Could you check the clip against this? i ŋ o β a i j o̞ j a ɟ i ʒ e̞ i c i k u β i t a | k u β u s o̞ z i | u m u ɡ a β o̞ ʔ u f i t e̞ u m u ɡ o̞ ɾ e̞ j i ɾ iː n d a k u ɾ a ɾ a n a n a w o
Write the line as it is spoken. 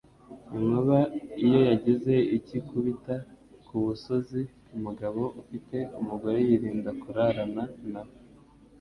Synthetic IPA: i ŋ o β a i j o̞ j a ɟ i z e̞ i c i k u β i t a | k u β u s o̞ z i | u m u ɡ a β o̞ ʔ u f i t e̞ u m u ɡ o̞ ɾ e̞ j i ɾ iː n d a k u ɾ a ɾ a n a n a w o